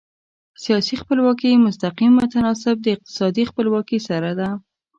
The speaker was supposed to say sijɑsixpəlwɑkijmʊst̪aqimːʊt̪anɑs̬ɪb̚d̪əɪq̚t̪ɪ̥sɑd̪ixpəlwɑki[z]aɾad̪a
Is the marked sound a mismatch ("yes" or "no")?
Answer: yes